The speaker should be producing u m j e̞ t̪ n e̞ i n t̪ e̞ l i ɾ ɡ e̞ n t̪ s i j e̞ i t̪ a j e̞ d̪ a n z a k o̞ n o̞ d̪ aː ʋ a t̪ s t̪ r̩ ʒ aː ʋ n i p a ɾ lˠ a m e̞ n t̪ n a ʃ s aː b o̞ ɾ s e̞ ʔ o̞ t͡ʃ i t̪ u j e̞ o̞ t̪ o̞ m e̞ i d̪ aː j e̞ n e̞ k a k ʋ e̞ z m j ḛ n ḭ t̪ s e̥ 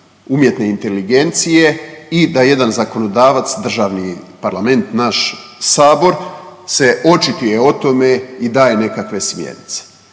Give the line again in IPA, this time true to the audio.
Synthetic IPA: u m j e̞ t̪ n e̞ i n t̪ e̞ l i ɡ e̞ n t̪ s i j e̞ i d̪ a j e̞ d̪ a n z a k o̞ n o̞ d̪ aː ʋ a t̪ s d̪ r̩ ʒ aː ʋ n i p a ɾ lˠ a m e̞ n t̪ n a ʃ s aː b o̞ ɾ s e̞ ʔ o̞ t͡ʃ i t̪ u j e̞ o̞ t̪ o̞ m e̞ i d̪ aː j e̞ n e̞ k a k ʋ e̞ s m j ḛ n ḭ t̪ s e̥